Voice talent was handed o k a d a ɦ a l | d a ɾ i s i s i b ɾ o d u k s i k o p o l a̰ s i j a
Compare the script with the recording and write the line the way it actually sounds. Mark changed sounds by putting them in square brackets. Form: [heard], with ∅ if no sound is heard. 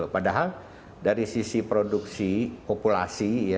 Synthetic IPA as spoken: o [p] a d a ɦ a l | d a ɾ i s i s i [p] ɾ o d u k s i [p] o p [u] l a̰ s i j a